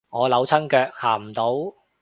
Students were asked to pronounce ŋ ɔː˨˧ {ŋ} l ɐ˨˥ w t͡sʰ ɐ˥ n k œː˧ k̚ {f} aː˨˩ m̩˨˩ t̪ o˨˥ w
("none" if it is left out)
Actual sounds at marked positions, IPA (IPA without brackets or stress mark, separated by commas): none, h